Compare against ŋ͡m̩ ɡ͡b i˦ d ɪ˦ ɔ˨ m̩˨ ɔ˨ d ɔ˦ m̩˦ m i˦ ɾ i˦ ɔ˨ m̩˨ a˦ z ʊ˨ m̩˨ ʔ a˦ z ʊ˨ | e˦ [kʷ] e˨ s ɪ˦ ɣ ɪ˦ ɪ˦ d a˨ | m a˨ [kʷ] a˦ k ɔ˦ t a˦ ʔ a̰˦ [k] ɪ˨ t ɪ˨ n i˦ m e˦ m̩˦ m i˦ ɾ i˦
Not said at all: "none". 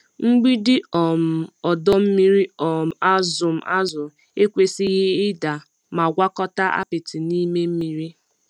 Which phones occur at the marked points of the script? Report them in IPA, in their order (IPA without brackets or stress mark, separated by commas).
kʷ, ɡʷ, p